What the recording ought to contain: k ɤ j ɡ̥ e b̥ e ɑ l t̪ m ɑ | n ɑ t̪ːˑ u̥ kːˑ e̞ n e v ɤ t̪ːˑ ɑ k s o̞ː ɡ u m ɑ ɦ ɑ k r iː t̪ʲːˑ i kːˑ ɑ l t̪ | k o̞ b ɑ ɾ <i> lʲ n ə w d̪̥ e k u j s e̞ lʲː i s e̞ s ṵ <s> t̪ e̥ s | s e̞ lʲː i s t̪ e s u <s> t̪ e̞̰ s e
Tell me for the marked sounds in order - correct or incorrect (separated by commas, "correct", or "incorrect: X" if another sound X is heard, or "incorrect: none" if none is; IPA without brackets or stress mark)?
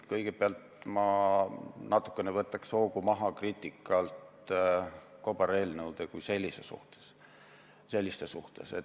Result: incorrect: e, incorrect: h, incorrect: h